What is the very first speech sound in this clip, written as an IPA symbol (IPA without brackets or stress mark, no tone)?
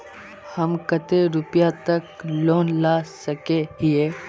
h